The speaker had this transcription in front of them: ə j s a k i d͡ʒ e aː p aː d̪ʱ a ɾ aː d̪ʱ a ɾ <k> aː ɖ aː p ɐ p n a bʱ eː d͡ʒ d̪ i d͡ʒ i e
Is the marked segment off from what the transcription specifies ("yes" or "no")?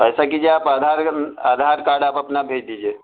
no